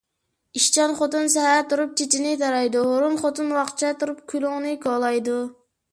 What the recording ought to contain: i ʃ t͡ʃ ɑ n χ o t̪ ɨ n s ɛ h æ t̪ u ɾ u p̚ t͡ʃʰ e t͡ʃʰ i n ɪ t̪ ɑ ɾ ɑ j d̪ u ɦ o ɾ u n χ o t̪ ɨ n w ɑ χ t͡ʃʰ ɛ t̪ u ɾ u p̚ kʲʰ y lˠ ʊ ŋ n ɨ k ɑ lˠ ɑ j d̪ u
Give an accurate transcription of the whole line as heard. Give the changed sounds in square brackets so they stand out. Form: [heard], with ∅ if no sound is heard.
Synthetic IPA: i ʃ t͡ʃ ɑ n χ o t̪ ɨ n s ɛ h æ t̪ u ɾ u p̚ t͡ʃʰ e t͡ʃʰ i n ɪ t̪ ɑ ɾ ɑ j d̪ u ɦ o ɾ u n χ o t̪ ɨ n w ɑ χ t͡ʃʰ ɛ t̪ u ɾ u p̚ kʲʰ y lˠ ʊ ŋ n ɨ k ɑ lˠ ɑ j d̪ u